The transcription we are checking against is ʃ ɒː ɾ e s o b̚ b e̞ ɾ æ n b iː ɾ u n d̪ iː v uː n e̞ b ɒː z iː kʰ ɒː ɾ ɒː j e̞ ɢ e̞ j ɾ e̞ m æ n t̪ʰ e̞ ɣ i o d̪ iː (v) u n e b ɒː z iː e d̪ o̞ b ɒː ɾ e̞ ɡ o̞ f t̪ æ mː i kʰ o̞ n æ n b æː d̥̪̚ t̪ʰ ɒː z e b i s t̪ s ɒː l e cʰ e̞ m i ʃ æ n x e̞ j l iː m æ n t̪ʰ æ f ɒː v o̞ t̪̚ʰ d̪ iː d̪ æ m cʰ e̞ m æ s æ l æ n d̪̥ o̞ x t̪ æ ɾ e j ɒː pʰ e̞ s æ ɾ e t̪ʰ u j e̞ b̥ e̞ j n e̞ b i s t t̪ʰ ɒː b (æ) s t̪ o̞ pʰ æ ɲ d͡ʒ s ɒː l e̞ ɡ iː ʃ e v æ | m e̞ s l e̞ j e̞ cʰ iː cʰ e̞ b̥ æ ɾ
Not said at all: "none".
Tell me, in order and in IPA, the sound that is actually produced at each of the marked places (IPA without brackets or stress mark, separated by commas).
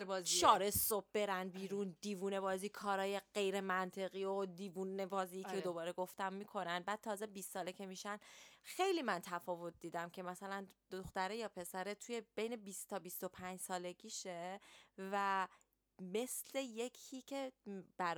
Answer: v, i